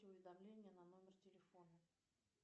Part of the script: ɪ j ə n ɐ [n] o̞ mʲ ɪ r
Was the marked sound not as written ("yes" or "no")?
no